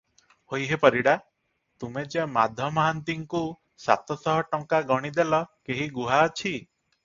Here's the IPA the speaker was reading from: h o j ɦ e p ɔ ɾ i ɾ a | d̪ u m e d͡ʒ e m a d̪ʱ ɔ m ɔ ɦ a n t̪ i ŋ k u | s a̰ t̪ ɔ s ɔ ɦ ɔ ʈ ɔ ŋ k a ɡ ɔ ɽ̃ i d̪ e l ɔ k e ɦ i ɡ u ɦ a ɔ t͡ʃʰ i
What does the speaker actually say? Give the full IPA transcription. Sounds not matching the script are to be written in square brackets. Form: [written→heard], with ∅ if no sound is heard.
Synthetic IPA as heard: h o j ɦ e p ɔ ɾ i [ɾ→ɽ] a | [d̪→t̪] u m e d͡ʒ e m a d̪ʱ ɔ m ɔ ɦ a n t̪ i ŋ k u | s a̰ t̪ ɔ s ɔ ɦ ɔ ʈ ɔ ŋ k a ɡ ɔ ɽ̃ i d̪ e l ɔ k e ɦ i ɡ u ɦ a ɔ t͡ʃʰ i